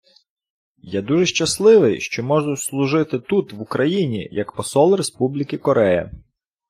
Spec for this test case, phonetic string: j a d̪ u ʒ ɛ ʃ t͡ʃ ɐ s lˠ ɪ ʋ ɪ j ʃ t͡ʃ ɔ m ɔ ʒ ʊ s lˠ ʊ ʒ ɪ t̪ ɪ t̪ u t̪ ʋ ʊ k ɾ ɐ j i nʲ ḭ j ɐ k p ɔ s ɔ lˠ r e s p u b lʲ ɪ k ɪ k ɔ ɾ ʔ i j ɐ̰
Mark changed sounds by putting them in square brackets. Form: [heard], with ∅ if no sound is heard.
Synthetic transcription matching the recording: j a d̪ u ʒ ɛ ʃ t͡ʃ ɐ s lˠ ɪ ʋ ɪ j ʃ t͡ʃ ɔ m ɔ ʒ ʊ s lˠ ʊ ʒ ɪ t̪ ɪ t̪ u t̪ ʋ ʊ k ɾ ɐ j i nʲ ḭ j ɐ k p ɔ s ɔ lˠ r e s p u b lʲ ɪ k ɪ k ɔ ɾ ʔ [ɛ] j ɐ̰